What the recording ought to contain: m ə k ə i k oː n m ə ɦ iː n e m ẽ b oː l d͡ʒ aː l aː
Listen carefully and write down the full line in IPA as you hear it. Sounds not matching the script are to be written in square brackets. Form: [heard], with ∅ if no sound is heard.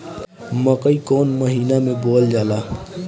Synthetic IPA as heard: m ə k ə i k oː n m ə ɦ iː n [a] m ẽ b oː l d͡ʒ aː l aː